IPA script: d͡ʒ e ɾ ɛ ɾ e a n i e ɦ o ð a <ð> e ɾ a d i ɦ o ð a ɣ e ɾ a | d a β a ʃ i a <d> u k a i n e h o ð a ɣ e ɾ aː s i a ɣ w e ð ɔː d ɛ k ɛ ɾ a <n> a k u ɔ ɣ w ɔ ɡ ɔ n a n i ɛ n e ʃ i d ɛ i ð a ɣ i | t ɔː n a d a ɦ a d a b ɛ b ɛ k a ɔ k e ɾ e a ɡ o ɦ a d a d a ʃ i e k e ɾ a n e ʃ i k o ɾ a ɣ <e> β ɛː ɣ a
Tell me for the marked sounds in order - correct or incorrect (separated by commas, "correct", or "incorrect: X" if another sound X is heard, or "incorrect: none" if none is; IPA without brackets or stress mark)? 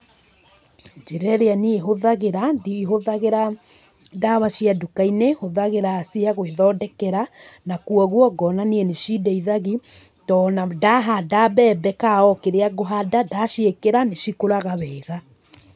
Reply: incorrect: ɣ, correct, correct, incorrect: a